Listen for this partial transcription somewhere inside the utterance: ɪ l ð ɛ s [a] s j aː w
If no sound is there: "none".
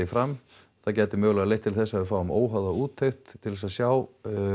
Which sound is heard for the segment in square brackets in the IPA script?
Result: a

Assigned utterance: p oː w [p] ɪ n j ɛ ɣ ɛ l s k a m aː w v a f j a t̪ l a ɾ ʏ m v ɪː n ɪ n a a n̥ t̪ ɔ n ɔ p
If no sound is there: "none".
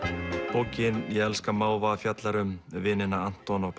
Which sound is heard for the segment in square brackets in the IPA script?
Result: c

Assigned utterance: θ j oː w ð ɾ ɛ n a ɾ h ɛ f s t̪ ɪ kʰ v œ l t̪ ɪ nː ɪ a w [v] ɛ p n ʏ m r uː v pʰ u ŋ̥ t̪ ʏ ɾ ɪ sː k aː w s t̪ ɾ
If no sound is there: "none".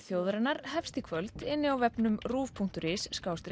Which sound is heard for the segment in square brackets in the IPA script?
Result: v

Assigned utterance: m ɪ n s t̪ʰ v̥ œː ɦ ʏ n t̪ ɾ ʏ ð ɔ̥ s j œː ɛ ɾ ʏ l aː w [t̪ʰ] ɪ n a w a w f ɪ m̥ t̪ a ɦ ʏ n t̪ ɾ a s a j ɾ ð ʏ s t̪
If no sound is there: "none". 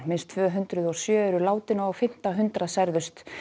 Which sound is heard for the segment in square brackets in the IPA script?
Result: t̪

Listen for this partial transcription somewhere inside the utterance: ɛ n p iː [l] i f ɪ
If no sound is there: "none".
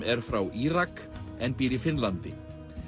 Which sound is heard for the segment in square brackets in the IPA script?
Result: ɾ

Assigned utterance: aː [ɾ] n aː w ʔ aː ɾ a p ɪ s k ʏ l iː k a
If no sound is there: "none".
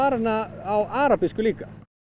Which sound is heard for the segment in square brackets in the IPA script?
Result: ɾ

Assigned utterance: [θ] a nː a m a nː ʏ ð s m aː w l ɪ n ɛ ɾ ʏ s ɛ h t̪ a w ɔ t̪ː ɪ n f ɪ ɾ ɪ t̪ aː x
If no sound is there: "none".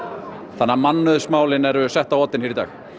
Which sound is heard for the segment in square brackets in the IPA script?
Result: θ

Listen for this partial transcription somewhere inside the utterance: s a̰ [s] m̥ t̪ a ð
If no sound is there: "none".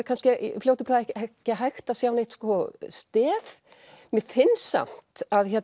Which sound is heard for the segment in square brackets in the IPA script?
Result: none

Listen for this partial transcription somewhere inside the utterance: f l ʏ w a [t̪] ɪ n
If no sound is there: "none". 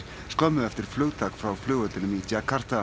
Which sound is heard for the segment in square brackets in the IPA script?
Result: t̪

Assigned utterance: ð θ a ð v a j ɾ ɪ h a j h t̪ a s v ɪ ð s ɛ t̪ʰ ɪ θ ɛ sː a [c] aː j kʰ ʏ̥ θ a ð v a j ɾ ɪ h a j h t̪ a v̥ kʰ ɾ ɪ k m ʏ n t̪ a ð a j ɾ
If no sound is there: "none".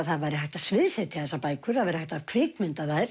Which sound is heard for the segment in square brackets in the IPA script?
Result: p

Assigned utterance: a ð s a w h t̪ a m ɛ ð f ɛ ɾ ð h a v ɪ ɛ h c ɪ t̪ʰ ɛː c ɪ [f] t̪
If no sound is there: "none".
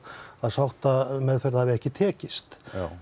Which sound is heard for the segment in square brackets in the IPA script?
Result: s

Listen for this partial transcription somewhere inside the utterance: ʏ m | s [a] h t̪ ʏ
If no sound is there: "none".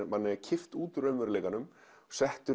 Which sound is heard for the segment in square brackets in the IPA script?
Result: ɛ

